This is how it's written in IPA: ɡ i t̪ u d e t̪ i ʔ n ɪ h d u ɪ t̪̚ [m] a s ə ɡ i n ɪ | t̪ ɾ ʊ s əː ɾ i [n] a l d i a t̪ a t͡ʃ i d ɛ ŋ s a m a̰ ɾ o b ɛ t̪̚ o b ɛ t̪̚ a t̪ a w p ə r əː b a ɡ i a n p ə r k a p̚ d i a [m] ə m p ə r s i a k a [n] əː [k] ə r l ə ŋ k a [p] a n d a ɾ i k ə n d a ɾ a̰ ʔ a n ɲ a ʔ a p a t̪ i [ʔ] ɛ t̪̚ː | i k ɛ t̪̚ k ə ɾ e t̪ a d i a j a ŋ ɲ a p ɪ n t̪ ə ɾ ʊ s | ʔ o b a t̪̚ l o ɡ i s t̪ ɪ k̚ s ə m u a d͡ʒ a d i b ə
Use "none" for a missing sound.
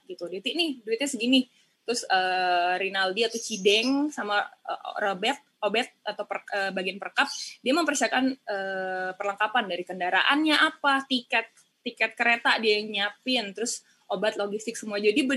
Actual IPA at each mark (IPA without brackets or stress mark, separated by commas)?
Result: ɲ, n, m, n, p, p, k